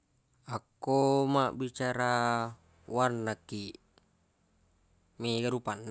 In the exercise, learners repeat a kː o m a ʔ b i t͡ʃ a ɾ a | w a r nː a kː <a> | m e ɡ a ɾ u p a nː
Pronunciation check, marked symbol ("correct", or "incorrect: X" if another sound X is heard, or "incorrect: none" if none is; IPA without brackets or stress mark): incorrect: i